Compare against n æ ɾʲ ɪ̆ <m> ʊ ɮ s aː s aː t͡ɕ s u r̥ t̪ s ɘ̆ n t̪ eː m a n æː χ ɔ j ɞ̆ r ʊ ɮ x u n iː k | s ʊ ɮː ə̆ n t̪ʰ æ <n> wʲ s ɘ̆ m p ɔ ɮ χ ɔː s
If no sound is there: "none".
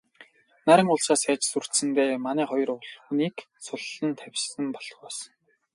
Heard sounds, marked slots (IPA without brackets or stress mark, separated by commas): ŋ, none